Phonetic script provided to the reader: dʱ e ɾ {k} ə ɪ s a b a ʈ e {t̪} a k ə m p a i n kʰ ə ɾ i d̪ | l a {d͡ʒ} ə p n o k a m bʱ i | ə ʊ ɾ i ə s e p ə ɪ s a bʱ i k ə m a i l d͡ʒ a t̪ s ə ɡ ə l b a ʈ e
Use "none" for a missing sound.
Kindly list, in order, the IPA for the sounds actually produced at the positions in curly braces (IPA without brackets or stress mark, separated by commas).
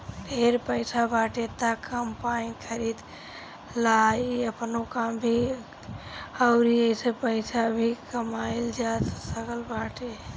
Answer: p, t̪, none